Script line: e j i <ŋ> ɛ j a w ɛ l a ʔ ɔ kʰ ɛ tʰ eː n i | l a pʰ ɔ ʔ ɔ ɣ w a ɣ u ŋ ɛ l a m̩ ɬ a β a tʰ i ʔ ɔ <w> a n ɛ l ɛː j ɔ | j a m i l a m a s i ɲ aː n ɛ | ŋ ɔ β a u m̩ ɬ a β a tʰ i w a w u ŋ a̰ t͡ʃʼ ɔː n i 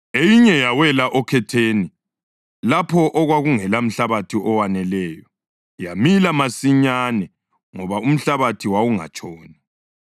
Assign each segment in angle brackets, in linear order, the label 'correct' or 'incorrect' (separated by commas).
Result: incorrect, correct